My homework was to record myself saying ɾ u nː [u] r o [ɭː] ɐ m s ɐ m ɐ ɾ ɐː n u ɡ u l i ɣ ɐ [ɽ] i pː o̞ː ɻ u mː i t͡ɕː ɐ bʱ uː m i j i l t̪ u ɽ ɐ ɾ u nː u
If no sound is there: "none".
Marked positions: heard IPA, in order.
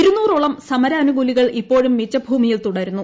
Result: uː, ɭ, ɭ

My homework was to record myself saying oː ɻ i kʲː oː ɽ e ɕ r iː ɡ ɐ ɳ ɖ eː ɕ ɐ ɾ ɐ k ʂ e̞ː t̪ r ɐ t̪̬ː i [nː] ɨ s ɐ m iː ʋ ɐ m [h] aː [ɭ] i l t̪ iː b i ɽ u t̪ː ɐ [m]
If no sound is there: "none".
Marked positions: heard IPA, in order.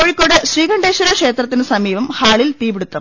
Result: n, h, ɭ, m

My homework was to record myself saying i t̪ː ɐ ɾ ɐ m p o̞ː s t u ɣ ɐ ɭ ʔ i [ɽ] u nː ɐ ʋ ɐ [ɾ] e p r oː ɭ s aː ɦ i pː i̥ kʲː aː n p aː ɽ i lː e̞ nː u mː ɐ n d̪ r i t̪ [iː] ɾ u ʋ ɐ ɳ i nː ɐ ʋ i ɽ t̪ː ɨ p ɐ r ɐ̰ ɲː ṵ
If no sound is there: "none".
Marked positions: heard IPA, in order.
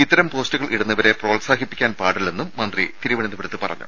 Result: ɽ, ɾ, i

